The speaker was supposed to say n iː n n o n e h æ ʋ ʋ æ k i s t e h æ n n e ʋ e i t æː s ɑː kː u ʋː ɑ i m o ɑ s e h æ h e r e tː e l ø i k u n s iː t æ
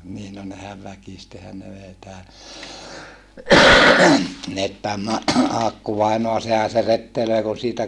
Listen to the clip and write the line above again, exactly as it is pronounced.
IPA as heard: n iː n n o n e h æ ʋ ʋ æ k i s t e h æ n n e ʋ e i t æː ɑː kː u ʋ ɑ i n o ɑ s e h æ s e r e tː e l ø i k u n s iː t æ

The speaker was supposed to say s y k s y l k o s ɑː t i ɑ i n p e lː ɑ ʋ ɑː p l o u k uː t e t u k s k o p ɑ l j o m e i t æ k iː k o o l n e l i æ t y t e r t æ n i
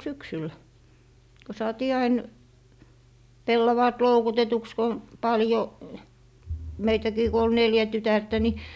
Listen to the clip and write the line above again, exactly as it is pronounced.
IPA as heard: s y k s y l k o s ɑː t iː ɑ i n p e lː ɑ ʋ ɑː t l o u k u t e t u k s k o p ɑ l j o m e i t æ k iː k o o l n e l j æ t y t æ r t æ n i

